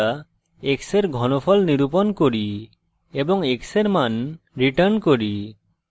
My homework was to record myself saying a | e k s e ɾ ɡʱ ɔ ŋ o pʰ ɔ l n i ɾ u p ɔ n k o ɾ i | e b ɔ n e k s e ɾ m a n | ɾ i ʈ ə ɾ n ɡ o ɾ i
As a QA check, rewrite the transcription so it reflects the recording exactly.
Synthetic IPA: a | e k s e ɾ ɡʱ ɔ n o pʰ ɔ l n i ɾ u p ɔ n k o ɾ i | e b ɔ ŋ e k s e ɾ m a n | ɾ i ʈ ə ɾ n k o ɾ i